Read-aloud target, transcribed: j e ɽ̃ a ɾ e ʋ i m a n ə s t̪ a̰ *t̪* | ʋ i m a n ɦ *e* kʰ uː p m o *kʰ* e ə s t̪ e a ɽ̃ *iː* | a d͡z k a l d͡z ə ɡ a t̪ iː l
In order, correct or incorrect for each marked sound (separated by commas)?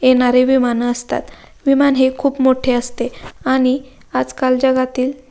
correct, correct, incorrect, incorrect